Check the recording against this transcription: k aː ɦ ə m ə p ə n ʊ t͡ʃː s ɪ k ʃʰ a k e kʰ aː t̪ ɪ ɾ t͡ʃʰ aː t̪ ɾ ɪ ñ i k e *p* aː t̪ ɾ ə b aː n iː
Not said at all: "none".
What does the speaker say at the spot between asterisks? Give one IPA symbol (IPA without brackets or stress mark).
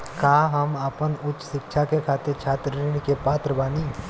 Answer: p